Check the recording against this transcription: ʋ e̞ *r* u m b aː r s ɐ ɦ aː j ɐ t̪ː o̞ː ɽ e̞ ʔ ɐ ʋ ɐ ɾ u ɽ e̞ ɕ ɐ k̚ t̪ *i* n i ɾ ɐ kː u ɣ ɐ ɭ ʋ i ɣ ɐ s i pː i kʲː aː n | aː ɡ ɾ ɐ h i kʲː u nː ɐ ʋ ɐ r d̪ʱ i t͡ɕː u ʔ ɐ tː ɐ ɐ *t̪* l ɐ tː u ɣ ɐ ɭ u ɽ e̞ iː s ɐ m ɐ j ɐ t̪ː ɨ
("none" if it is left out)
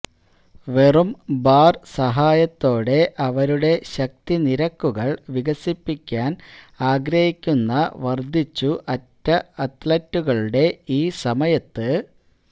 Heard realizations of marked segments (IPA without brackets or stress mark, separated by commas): r, i, t̪